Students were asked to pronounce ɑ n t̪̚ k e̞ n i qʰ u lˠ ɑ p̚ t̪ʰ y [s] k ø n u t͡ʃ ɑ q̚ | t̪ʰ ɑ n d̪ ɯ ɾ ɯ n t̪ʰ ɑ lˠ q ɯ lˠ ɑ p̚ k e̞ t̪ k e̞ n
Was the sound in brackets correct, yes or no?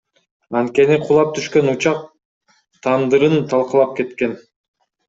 no